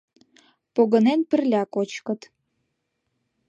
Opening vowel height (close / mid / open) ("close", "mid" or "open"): mid